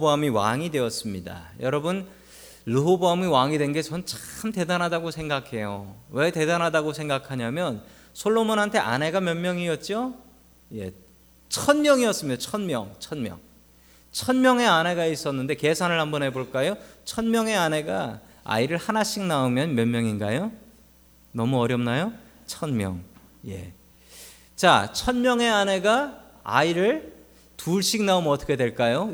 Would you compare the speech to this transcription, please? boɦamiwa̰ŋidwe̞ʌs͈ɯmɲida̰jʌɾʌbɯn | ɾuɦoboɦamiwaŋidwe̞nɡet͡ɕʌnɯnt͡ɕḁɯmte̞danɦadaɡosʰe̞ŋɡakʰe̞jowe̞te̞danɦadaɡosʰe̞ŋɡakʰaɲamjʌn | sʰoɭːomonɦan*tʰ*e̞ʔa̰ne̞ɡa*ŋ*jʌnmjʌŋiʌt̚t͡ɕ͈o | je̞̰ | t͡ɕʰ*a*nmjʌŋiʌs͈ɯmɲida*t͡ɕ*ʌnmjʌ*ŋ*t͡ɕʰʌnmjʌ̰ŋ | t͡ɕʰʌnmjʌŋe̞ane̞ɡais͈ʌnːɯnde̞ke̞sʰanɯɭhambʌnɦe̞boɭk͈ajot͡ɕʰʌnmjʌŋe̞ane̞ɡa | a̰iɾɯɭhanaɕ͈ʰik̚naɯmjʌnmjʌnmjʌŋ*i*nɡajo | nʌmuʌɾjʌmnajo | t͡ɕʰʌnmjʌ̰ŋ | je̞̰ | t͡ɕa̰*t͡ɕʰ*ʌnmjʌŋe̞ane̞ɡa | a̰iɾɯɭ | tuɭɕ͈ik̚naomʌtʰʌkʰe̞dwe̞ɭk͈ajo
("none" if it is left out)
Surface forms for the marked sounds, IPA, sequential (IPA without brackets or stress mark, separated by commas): tʰ, m, ʌ, t͡ɕʰ, ŋ, i, t͡ɕʰ